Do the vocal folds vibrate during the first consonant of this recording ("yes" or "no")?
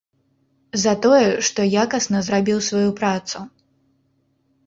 yes